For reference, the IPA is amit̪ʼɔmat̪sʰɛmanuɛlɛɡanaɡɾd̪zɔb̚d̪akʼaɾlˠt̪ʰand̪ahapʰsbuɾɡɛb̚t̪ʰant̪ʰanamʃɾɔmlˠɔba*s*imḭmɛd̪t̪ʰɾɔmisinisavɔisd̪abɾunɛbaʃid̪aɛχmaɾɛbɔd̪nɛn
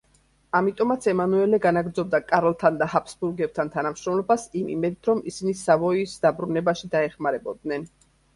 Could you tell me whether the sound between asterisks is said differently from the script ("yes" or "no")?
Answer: no